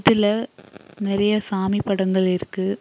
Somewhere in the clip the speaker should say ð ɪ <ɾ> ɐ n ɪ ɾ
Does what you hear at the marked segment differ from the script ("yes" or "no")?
yes